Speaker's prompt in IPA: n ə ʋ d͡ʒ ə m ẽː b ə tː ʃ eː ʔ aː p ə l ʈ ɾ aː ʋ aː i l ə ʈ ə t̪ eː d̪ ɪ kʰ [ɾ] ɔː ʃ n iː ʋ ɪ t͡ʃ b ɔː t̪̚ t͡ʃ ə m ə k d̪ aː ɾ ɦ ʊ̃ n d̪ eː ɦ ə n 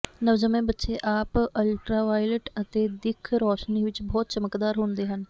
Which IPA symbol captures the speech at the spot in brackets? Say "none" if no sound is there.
ɾ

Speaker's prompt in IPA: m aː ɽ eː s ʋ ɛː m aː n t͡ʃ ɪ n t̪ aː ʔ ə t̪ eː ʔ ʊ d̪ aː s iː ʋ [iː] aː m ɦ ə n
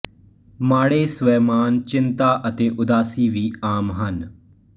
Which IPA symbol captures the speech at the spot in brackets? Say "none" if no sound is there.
iː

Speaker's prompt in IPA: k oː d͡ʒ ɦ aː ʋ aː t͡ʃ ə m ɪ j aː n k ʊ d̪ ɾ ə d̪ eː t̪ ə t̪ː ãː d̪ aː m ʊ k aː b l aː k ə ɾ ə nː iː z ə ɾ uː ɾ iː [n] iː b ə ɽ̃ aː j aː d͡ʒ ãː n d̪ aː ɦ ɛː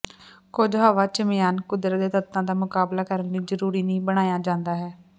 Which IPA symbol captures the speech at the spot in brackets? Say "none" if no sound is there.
n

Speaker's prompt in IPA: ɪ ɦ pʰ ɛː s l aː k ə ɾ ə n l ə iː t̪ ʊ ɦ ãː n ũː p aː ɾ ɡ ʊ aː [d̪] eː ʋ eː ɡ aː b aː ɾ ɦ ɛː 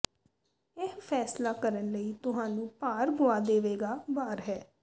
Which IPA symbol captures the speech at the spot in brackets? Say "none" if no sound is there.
d̪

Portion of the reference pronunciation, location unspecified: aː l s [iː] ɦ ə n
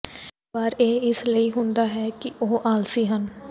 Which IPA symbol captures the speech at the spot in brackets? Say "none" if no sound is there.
iː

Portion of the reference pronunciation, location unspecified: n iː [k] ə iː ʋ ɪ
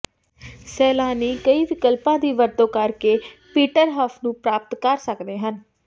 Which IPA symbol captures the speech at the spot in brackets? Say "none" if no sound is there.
k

